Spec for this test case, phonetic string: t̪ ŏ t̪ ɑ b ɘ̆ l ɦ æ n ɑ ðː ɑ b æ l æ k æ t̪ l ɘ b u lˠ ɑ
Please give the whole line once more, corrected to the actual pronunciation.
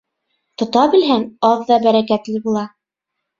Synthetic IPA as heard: t̪ ŏ t̪ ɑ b ɘ̆ l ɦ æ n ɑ ðː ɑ b æ ɾ æ k æ t̪ l ɘ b u lˠ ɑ